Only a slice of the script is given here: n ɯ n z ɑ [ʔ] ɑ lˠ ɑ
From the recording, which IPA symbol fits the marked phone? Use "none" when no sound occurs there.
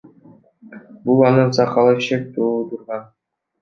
q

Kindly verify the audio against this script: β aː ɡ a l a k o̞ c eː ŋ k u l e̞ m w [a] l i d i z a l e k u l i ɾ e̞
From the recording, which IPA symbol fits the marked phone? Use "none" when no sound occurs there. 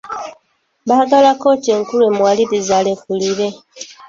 a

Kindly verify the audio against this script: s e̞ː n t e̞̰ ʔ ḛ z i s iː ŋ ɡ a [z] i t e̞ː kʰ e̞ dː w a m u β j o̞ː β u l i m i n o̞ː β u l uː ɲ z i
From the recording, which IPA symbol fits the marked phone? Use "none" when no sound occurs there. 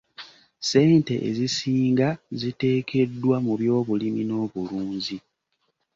z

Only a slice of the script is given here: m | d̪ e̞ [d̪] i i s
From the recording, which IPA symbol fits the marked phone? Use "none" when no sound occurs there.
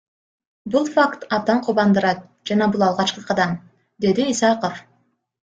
d̪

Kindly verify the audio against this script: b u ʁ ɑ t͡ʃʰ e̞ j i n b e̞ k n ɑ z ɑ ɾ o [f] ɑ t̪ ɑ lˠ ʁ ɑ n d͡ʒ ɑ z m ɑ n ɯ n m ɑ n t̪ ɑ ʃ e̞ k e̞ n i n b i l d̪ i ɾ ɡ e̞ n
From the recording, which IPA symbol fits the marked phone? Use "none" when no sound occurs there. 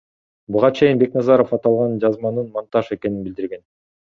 f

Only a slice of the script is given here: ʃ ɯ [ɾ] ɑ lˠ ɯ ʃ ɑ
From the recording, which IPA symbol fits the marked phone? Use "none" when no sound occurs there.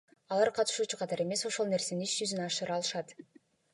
ɾ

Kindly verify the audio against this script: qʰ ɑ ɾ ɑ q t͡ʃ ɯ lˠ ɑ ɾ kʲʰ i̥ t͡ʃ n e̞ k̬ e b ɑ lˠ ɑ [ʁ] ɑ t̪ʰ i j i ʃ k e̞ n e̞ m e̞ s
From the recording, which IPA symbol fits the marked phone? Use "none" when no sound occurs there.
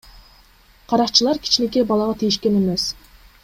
ʁ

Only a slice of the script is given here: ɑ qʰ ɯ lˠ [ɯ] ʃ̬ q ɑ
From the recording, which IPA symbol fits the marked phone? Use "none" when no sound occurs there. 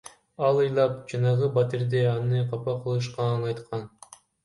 ɯ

